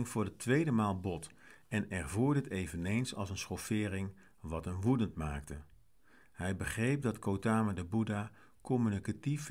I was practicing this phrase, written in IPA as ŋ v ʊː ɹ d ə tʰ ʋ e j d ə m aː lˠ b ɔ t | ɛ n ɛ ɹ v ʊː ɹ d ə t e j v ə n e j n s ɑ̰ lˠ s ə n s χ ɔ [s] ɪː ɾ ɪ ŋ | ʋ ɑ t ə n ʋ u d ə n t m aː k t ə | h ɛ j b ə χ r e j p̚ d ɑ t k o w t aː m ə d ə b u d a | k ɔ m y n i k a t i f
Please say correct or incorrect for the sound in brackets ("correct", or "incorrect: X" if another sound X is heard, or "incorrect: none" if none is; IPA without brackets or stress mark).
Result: incorrect: f